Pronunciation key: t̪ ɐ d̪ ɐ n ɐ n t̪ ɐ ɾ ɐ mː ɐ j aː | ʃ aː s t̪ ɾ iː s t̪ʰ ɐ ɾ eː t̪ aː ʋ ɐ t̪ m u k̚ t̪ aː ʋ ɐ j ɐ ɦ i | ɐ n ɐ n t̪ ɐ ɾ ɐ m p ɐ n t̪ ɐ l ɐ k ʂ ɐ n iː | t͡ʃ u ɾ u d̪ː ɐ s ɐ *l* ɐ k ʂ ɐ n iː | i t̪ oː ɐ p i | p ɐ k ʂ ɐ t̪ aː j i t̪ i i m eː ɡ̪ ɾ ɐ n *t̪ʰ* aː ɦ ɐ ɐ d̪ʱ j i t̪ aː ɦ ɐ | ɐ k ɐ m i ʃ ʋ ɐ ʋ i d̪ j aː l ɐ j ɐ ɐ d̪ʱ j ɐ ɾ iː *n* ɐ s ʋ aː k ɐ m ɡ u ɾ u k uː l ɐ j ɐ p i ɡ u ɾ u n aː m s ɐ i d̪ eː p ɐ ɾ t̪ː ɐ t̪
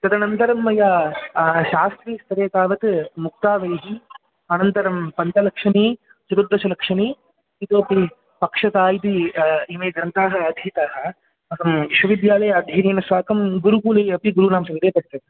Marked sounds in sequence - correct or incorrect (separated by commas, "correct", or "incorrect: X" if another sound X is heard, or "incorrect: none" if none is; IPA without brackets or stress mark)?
correct, incorrect: t̪, correct